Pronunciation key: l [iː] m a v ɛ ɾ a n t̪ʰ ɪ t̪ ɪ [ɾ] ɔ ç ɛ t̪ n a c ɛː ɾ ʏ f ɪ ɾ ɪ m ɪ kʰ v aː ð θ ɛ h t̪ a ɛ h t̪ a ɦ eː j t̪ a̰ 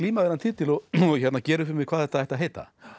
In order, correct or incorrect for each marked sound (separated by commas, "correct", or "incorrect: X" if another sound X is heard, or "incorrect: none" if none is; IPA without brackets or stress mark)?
correct, incorrect: l